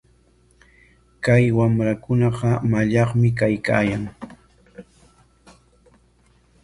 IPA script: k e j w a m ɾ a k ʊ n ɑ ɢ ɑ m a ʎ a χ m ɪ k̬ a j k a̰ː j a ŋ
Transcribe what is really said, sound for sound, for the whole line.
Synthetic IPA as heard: k a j w a m ɾ a k ʊ n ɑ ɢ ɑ m a ʎ ɑ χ m ɪ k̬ a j k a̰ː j a ŋ